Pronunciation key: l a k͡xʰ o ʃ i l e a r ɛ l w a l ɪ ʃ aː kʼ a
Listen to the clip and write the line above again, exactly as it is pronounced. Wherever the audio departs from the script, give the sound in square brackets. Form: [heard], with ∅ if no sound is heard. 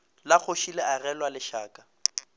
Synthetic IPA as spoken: l a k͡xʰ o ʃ i l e a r ɛ l w a l ɪ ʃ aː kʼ a